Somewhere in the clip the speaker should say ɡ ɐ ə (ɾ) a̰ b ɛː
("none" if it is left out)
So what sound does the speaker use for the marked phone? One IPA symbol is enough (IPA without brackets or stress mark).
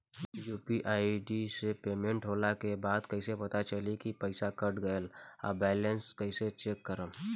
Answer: l